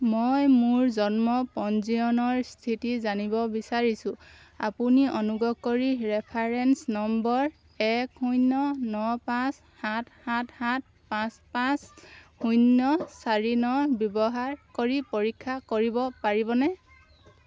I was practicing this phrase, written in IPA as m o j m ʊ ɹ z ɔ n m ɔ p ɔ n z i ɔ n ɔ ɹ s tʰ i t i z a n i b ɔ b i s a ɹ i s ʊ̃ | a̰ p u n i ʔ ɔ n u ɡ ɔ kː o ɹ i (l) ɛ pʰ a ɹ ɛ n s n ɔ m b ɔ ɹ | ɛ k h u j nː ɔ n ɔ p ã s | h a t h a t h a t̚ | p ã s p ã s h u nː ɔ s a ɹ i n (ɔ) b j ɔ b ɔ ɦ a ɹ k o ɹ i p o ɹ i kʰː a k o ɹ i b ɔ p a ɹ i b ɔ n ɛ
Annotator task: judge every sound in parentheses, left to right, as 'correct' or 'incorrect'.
incorrect: ɹ, correct

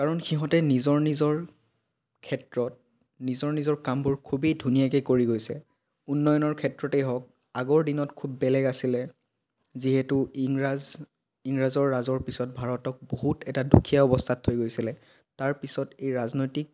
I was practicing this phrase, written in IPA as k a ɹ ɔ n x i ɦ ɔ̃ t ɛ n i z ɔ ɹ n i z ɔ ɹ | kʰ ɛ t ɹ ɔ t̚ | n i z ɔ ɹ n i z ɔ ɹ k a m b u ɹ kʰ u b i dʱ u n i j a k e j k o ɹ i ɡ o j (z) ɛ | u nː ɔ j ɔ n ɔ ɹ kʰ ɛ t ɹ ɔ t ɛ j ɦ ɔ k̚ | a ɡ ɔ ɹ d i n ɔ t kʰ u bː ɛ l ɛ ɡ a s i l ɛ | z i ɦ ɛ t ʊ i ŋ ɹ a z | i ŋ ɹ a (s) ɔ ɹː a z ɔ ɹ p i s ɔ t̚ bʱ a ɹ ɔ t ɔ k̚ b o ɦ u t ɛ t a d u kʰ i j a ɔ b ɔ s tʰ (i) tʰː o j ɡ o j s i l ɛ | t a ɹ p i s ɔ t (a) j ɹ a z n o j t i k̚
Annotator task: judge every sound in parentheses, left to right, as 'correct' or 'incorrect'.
incorrect: s, incorrect: z, incorrect: a, incorrect: e

